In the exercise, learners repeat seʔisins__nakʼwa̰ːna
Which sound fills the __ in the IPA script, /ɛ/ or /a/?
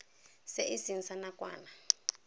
a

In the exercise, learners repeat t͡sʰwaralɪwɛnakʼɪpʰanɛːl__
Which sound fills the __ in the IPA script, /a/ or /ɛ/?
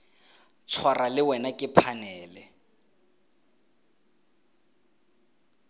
ɛ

